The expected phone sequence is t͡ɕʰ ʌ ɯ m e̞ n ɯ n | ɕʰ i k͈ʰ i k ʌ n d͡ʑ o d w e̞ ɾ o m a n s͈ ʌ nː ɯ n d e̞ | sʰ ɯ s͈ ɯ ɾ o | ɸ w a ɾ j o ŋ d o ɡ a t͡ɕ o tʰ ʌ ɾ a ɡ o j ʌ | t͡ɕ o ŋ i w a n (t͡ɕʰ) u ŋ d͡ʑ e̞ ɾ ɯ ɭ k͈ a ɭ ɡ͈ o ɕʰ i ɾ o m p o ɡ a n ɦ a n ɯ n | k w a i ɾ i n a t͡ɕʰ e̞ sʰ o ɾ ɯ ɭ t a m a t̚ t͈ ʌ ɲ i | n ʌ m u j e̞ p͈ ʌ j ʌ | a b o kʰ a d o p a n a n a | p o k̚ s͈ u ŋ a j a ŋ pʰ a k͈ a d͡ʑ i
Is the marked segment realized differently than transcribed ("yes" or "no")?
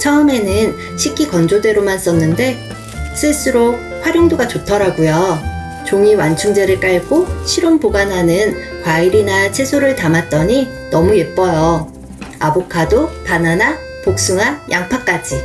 no